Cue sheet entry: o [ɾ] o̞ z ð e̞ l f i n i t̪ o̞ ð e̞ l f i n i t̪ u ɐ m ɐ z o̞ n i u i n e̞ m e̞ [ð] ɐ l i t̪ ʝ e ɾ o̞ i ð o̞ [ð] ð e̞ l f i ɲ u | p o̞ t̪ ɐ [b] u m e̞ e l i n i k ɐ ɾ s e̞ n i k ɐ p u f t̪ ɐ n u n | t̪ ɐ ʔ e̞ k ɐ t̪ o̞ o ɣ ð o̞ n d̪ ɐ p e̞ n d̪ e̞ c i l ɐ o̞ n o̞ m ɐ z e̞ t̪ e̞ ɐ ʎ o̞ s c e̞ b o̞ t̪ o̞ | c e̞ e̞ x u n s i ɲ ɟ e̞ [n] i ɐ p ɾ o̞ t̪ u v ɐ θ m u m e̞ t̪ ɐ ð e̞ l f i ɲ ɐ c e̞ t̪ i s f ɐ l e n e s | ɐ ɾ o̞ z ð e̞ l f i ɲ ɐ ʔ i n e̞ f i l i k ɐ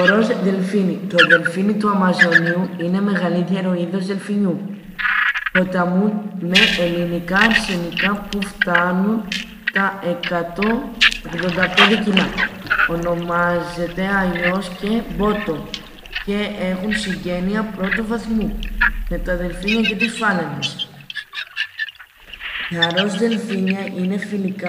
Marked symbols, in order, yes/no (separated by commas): yes, no, no, no, yes